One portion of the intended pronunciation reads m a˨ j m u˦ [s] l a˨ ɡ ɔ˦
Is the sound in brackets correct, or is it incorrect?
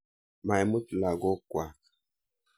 incorrect: t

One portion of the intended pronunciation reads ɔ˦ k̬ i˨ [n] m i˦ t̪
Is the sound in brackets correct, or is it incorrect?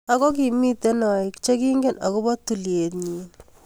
incorrect: none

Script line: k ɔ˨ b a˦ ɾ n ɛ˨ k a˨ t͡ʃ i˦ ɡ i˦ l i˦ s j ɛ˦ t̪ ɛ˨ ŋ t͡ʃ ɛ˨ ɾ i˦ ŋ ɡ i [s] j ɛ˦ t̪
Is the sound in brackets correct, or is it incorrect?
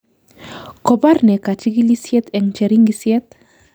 correct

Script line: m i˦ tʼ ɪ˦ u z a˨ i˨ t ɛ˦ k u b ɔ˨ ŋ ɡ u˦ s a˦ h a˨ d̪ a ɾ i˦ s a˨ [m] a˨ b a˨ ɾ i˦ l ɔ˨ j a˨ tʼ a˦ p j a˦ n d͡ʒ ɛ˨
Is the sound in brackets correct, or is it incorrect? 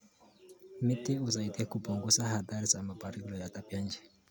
correct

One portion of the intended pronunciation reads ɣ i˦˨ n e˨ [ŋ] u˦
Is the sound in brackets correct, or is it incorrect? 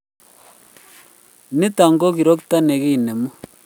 incorrect: m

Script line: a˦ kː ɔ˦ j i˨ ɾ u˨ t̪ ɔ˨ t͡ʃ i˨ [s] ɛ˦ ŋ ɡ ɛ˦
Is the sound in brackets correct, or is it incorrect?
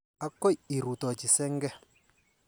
correct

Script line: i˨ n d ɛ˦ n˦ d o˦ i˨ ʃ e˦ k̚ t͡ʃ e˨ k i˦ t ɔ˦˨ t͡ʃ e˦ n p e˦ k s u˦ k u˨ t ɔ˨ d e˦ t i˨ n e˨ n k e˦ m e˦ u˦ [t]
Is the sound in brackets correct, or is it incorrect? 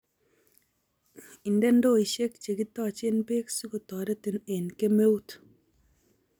correct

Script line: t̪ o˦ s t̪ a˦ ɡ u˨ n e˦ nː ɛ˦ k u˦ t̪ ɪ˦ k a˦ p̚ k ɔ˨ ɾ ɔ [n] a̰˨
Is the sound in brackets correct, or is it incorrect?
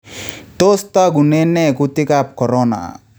correct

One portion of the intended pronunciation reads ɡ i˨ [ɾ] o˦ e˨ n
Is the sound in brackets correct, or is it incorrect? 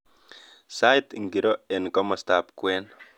correct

